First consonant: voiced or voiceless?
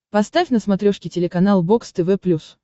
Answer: voiceless